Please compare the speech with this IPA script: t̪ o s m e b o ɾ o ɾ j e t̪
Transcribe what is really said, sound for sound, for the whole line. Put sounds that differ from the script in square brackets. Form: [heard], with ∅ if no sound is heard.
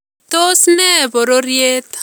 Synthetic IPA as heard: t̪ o s [n] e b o ɾ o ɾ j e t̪